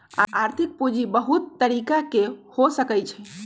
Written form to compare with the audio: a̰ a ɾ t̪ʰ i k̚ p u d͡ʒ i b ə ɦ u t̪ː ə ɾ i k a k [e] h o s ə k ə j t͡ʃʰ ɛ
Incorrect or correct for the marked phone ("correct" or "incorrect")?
correct